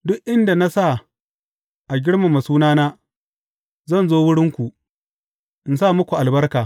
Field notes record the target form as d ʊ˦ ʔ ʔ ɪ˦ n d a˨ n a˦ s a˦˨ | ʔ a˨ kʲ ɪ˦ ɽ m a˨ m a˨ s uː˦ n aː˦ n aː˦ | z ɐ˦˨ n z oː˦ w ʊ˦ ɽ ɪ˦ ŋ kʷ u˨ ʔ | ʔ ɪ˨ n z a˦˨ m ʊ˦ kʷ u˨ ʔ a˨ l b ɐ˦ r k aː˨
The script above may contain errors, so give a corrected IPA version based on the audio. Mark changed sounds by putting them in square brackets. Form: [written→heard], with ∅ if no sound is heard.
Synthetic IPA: d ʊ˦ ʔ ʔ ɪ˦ n d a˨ n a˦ s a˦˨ | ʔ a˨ [kʲ→ɡʲ] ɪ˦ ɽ m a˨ m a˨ s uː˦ n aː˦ n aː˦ | z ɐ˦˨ n z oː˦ w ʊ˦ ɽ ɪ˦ ŋ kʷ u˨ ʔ | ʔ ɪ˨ n [z→s] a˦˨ m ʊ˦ kʷ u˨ ʔ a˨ l b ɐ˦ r k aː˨